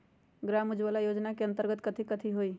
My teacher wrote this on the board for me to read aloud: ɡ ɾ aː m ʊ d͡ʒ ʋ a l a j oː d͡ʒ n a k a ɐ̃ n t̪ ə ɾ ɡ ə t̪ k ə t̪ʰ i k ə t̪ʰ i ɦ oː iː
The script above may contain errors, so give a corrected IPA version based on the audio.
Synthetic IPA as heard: ɡ ɾ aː m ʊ d͡ʒ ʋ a l a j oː d͡ʒ n a k e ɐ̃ n t̪ ə ɾ ɡ ə t̪ k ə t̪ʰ i k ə t̪ʰ i ɦ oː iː